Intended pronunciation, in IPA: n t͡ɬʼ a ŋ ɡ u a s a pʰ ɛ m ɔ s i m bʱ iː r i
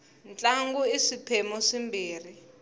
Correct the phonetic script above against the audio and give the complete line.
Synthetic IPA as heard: n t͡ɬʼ a ŋ ɡ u i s i pʰ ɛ m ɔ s i m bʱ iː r i